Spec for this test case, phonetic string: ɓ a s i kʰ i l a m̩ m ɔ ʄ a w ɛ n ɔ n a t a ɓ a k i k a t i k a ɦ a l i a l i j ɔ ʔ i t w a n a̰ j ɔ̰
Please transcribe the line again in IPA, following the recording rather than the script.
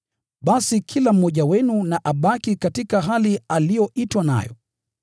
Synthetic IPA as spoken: ɓ a s i kʰ i l a m̩ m ɔ ʄ a w ɛ n u n a ʔ a ɓ a k i k a t i k a ɦ a l i a l i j ɔ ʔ i t w a n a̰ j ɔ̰